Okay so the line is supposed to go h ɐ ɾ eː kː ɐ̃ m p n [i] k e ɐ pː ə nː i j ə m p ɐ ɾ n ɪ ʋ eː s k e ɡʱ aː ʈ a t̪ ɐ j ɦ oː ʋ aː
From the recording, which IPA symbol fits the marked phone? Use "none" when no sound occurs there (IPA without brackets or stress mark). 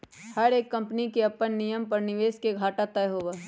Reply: i